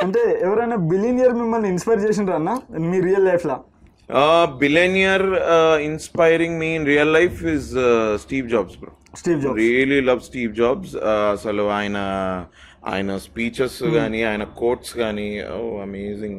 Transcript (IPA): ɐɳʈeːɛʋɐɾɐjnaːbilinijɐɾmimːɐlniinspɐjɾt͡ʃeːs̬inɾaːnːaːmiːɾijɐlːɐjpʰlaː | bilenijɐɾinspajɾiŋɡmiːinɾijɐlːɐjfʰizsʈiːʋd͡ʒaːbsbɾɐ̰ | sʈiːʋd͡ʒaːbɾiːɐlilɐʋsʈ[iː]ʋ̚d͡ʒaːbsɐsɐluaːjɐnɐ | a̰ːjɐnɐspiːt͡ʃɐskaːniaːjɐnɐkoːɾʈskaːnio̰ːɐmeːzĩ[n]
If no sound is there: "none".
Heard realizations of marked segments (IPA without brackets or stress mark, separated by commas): iː, ŋ